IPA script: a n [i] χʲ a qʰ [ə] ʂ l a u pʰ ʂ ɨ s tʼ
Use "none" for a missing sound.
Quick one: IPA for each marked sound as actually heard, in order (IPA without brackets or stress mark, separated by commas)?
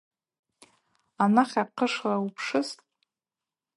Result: a, ə